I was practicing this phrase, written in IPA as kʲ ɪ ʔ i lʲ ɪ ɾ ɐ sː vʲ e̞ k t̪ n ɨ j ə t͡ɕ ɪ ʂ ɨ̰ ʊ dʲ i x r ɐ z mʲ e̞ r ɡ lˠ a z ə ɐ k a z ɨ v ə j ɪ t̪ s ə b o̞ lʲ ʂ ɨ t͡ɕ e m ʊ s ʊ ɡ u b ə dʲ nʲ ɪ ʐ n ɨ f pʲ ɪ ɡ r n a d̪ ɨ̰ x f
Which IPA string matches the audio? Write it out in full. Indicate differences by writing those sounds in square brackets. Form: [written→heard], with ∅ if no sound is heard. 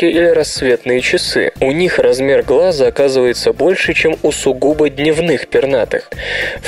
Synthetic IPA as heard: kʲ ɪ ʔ i lʲ ɪ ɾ ɐ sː vʲ e̞ [k→∅] t̪ n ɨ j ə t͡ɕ ɪ [ʂ→s] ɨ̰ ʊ [dʲ→nʲ] i x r ɐ z mʲ e̞ r ɡ lˠ a z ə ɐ k a z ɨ v ə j ɪ t̪ s ə b o̞ lʲ ʂ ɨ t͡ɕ e m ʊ s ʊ ɡ u b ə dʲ nʲ ɪ [ʐ→v] n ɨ [f→x] pʲ ɪ [ɡ→∅] r n a [d̪→t̪] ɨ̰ x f